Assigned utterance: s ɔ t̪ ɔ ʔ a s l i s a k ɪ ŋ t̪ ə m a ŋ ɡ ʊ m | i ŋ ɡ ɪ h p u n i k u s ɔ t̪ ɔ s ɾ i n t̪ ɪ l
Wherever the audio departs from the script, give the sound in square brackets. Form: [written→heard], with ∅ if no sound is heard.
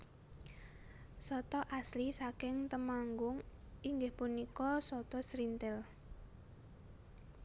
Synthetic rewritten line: s ɔ t̪ ɔ ʔ a s l i s a k ɪ ŋ t̪ ə m a ŋ ɡ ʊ [m→ŋ] | i ŋ ɡ ɪ h p u n i k [u→ɔ] s ɔ t̪ ɔ s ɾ i n t̪ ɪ l